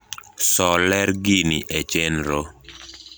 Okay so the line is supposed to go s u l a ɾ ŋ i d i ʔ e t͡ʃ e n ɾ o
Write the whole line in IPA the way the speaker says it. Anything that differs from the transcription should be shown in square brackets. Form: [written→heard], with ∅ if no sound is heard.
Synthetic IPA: s [u→ɔ] l [a→ɛ] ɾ [ŋ→ɡ] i [d→n] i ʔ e t͡ʃ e n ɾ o